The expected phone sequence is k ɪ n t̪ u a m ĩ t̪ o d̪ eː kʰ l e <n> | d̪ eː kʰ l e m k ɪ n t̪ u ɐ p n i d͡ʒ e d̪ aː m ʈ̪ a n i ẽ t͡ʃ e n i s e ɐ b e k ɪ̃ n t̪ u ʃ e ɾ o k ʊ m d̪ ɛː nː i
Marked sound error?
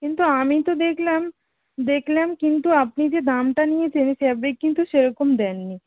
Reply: yes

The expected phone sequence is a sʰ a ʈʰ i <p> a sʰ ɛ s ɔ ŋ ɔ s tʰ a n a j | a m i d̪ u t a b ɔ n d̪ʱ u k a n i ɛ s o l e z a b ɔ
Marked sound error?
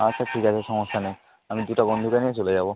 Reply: yes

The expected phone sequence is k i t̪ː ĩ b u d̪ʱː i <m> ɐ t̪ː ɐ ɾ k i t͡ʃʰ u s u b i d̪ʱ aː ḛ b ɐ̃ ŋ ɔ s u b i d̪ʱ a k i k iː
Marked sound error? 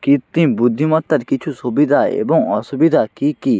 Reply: no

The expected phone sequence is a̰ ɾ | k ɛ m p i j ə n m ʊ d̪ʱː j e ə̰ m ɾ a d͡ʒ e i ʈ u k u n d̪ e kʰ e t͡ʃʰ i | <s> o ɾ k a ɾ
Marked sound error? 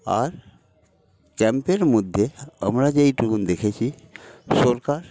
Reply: no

